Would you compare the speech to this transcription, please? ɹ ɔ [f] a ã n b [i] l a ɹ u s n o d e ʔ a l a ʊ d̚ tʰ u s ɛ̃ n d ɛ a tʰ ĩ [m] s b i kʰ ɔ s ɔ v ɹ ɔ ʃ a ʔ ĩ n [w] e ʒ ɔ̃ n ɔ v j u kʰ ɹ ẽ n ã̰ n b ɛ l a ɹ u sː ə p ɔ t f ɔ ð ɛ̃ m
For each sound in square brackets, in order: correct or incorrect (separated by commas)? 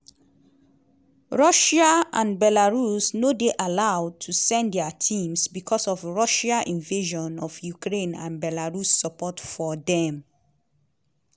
incorrect, incorrect, correct, incorrect